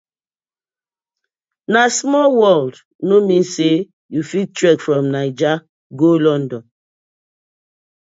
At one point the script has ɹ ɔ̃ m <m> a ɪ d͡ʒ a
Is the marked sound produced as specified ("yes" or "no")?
no